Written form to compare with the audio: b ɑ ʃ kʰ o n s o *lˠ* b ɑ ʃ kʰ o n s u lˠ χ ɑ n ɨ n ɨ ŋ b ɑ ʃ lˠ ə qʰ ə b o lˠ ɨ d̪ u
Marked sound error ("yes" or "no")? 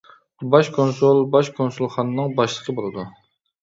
no